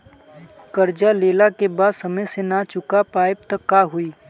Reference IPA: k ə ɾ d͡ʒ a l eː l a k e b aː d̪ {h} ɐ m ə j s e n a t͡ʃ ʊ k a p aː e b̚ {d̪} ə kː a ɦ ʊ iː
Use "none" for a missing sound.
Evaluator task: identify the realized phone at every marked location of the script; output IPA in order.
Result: s, t̪

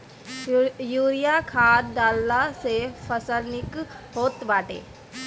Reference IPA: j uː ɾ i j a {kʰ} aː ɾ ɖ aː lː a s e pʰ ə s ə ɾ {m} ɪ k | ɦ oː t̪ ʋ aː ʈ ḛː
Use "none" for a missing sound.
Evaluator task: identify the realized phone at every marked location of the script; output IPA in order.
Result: kʰ, n

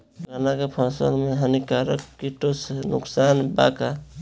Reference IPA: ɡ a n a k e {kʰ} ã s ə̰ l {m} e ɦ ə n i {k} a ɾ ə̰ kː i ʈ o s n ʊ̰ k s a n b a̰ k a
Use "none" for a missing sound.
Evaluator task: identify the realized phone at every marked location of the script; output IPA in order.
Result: pʰ, m, k

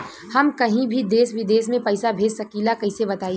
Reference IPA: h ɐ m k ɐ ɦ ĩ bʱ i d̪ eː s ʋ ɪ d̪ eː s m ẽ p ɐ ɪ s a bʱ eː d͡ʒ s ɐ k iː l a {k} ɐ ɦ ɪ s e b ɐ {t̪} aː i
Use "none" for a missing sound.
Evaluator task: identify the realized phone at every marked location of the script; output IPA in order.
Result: k, t̪

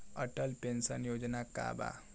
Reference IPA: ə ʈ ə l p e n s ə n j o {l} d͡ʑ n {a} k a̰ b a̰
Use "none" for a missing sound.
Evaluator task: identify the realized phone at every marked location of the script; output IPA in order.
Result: none, a

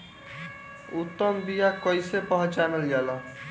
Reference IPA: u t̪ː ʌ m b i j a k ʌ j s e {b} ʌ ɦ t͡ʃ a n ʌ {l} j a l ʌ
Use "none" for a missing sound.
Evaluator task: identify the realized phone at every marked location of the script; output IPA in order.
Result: p, l

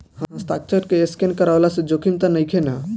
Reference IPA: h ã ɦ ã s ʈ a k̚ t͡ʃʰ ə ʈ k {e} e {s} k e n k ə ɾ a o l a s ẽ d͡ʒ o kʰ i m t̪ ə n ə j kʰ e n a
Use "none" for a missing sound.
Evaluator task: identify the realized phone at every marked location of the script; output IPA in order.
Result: e, s

